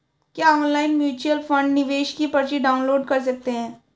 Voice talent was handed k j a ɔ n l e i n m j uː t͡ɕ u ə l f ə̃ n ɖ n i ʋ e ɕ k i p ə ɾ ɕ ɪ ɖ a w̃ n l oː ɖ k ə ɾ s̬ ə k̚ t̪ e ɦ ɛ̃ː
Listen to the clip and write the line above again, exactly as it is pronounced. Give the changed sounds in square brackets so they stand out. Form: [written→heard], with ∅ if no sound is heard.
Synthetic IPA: k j a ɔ n l [e→a] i n m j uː t͡ɕ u ə l f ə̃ [n→ɳ] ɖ n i ʋ e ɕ k i p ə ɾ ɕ [ɪ→i] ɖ a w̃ n l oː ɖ k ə ɾ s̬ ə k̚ t̪ e ɦ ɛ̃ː